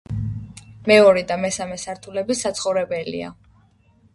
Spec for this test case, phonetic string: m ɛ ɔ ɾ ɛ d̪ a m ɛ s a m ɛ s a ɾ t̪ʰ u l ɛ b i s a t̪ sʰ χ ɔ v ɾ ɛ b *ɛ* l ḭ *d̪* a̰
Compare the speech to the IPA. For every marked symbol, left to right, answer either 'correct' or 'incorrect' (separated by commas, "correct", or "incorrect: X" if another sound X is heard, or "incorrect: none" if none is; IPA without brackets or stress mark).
correct, incorrect: none